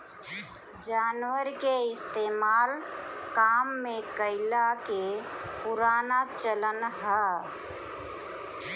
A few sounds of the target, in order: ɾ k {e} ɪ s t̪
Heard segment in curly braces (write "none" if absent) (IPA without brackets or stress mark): e